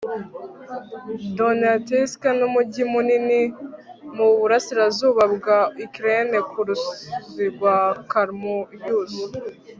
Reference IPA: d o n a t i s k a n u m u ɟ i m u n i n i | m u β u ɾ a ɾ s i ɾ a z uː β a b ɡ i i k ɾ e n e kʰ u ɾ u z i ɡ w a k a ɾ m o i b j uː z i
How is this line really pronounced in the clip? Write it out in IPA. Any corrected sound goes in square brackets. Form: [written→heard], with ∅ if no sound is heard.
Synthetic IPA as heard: d o n a t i s k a n u m u ɟ i m u n i n i | m u β u ɾ a [ɾ→∅] s i ɾ a z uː β a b ɡ [i→a] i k ɾ e n e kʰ u ɾ u z i ɡ w a k a ɾ m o i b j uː z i